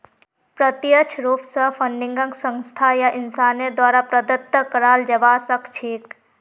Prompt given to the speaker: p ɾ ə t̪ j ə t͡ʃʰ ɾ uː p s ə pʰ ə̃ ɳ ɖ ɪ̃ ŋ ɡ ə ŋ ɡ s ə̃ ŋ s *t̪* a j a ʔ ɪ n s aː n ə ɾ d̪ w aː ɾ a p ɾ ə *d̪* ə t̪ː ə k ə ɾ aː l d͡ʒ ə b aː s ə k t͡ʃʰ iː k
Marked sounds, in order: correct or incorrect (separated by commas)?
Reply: incorrect, correct